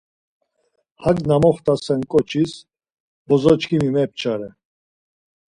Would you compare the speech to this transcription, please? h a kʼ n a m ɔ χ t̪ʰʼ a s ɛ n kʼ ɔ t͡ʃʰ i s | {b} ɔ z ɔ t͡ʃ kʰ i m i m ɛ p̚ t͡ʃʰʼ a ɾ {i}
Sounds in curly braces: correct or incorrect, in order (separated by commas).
correct, incorrect